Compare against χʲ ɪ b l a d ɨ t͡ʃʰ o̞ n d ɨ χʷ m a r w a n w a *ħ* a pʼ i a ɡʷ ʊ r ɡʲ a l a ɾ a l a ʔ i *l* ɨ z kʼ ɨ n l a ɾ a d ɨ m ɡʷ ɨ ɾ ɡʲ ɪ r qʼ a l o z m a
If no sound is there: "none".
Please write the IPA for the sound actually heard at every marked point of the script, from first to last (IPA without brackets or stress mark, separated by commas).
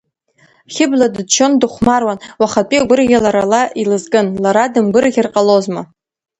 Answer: χ, l